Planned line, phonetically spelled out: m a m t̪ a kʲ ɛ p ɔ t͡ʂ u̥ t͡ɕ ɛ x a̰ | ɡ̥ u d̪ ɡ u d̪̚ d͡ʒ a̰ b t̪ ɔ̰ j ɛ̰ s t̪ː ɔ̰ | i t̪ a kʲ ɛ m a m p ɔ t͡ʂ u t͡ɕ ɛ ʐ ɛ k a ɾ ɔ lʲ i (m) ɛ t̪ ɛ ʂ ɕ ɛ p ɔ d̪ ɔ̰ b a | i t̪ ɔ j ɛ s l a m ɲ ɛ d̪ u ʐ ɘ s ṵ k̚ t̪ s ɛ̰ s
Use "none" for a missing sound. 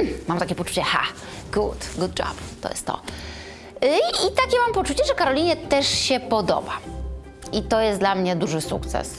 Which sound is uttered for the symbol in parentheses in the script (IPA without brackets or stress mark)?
ɲ